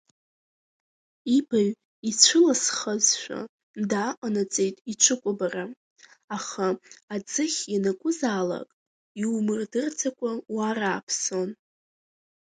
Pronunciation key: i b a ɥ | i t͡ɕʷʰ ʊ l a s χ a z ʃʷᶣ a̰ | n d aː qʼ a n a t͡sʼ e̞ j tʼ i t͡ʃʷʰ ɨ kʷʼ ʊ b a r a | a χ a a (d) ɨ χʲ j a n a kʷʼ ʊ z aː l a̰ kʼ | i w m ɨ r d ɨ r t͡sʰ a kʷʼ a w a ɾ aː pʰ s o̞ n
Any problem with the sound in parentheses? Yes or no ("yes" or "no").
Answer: yes